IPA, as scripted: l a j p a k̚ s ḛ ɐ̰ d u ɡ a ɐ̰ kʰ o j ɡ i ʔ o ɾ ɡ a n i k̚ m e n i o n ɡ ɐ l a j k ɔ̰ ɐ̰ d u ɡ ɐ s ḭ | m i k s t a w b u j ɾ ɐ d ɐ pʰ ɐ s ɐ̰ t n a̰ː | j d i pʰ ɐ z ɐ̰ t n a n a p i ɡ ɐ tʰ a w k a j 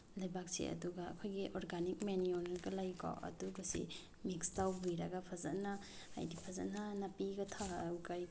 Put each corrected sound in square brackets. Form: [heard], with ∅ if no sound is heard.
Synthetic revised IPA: l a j [b] a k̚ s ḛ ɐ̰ d u ɡ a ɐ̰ kʰ o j ɡ i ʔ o ɾ ɡ a n i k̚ m e n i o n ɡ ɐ l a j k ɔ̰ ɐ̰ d u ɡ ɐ s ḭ | m i k s t a w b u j ɾ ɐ [ɡ] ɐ pʰ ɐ [z] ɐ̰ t n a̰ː | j d i pʰ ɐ z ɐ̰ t n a n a p i ɡ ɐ tʰ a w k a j

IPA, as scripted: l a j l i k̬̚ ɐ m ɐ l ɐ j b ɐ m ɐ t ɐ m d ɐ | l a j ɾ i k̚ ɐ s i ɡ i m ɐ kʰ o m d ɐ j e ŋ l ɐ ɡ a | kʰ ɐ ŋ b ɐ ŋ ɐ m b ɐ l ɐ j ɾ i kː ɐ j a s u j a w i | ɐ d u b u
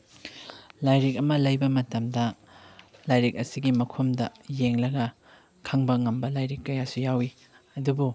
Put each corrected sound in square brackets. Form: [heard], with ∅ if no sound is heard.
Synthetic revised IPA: l a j [ɾ] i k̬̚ ɐ m ɐ l ɐ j b ɐ m ɐ t ɐ m d ɐ | l a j ɾ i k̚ ɐ s i ɡ i m ɐ kʰ o m d ɐ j e ŋ l ɐ ɡ [ɐ] | kʰ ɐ ŋ b ɐ ŋ ɐ m b ɐ l [a] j ɾ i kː ɐ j a s u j a w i | ɐ d u b u

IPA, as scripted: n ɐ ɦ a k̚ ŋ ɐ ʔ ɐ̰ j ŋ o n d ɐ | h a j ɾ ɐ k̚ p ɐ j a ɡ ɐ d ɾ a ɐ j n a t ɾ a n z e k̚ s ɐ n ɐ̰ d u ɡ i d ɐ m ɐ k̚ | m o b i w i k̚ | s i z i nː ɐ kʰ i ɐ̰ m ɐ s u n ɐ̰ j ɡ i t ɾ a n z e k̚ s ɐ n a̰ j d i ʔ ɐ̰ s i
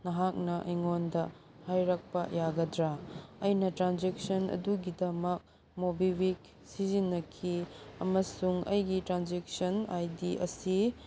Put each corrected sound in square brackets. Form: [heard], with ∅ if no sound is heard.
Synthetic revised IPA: n ɐ ɦ a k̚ [n] ɐ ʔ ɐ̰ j ŋ o n d ɐ | h a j ɾ ɐ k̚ p ɐ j a ɡ ɐ d ɾ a ɐ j n [ɐ] t ɾ a n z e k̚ s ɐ n ɐ̰ d u ɡ i d ɐ m ɐ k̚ | m o b i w i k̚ | s i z i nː ɐ kʰ i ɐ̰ m ɐ s u [ŋ] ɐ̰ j ɡ i t ɾ a n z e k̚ s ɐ n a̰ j d i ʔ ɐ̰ s i

